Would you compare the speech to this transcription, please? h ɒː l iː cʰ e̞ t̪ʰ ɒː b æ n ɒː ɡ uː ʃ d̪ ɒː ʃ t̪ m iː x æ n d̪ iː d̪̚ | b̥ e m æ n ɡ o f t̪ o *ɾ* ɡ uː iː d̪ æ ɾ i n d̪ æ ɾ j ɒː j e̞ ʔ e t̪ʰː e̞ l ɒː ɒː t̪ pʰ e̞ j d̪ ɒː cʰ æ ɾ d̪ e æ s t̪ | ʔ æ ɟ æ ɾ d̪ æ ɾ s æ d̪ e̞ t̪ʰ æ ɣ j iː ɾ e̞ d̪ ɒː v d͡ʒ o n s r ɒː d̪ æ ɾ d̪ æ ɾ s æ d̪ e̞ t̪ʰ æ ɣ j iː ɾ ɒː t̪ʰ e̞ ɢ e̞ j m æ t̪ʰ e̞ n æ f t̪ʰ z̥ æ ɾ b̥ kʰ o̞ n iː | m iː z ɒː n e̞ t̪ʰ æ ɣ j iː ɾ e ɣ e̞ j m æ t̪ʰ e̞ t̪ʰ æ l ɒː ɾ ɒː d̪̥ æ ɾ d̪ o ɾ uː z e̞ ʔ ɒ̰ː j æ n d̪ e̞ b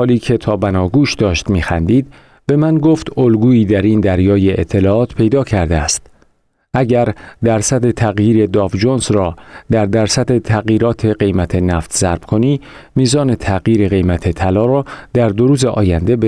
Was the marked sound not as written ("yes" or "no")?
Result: yes